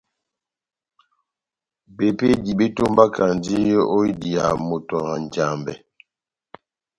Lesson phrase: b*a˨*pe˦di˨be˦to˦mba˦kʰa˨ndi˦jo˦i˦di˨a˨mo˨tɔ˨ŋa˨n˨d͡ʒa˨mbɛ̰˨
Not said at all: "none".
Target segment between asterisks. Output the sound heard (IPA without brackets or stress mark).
e˨